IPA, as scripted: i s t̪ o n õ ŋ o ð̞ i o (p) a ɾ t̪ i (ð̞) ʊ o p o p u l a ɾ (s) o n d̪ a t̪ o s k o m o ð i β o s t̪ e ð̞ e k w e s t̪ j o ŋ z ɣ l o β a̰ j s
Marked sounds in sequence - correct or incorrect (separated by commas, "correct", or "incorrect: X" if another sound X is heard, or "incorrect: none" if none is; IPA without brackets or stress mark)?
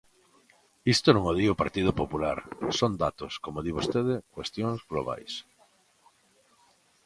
correct, correct, correct